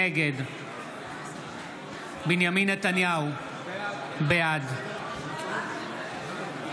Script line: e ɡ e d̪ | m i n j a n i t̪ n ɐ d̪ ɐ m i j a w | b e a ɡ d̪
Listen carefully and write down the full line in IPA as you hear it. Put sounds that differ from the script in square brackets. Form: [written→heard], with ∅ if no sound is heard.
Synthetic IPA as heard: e ɡ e d̪ | [m→b] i n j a [n→m] i [t̪→∅] n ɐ [d̪→t̪] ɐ [m→n] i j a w | b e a [ɡ→∅] d̪